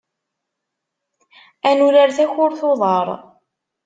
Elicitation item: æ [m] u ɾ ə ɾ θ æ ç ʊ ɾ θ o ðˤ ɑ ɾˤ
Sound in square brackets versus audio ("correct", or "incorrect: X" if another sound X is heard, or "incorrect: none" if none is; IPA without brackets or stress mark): incorrect: n